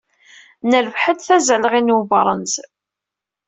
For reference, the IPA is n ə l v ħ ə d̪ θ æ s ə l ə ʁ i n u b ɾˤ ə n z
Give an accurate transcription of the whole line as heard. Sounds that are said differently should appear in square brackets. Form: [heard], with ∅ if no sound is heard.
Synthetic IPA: n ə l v ħ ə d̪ θ æ [z] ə l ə ʁ i n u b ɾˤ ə n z

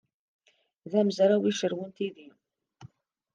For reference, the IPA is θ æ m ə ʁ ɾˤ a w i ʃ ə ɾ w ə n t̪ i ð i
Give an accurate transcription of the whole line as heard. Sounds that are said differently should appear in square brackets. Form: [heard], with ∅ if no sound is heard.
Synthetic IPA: [ð] æ m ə [z] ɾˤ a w i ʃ ə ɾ w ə n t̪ i ð i

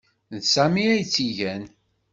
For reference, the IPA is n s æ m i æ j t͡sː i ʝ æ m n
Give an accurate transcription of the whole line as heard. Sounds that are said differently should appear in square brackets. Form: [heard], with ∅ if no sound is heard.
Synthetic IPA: n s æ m i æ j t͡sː i ʝ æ [∅] n

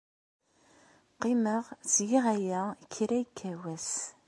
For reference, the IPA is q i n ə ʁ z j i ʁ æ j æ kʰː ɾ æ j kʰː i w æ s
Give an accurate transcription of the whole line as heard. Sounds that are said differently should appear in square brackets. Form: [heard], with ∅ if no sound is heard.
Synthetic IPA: q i [m] ə ʁ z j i ʁ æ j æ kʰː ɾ æ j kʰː [æ] w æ s

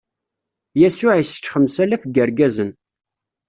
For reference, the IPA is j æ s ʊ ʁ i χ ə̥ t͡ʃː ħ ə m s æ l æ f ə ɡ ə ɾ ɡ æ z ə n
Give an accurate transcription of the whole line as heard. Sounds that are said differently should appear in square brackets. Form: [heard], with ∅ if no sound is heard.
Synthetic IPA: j æ s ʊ [ʕ] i [s] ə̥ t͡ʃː [χ] ə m s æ l æ f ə ɡ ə ɾ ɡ æ z ə n

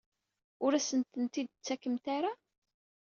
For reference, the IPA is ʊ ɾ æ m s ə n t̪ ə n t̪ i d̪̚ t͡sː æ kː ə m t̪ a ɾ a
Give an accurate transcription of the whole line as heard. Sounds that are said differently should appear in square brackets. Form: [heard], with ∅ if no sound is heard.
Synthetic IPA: ʊ ɾ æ [∅] s ə n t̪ ə n t̪ i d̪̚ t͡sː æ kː ə m t̪ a ɾ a

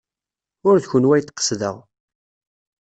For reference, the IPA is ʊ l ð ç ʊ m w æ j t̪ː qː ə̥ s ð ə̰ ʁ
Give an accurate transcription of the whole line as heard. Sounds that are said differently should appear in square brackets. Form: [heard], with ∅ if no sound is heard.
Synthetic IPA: ʊ [ɾ] ð ç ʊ [n] w æ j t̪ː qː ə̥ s ð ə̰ ʁ

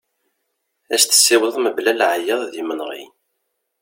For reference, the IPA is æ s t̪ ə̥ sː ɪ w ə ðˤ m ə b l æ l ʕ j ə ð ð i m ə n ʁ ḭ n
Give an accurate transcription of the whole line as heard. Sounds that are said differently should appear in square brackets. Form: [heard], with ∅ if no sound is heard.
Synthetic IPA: æ s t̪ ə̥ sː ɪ w ə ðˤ m ə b l æ l ʕ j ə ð ð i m ə n ʁ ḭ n

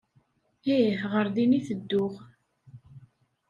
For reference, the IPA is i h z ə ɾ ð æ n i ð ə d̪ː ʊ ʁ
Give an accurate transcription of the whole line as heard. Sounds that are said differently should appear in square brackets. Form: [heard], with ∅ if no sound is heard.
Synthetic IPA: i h [ʁ] ə ɾ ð [i] n i [θ] ə d̪ː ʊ ʁ

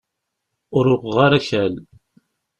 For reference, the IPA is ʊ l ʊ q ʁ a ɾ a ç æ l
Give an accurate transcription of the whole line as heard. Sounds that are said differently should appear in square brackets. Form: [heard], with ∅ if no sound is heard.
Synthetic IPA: ʊ [ɾ] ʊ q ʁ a ɾ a ç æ l

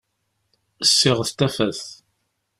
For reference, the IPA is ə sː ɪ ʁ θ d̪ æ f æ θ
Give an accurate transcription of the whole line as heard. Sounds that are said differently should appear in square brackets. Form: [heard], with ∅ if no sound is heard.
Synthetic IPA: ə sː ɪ ʁ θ [t̪] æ f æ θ

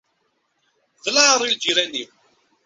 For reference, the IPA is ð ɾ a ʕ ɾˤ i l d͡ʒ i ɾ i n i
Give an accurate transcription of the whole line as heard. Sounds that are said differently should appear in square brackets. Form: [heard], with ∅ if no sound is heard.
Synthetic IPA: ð [l] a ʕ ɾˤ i l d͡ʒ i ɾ [æ] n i

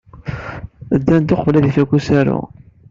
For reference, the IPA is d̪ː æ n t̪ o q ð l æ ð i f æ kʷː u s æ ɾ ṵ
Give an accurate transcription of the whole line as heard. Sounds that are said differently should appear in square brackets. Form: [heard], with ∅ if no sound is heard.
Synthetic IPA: d̪ː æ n t̪ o q [v] l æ ð i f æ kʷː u s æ ɾ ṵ

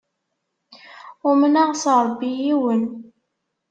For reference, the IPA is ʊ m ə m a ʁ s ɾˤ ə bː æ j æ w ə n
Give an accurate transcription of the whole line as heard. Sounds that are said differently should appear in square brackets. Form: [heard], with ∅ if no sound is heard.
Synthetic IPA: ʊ m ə [n] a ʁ s ɾˤ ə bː [i] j [i] w ə n

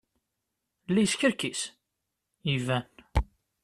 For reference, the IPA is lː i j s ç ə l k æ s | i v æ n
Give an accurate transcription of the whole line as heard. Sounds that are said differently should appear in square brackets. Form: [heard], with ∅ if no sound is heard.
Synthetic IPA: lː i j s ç ə [ɾ] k [i] s | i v æ n

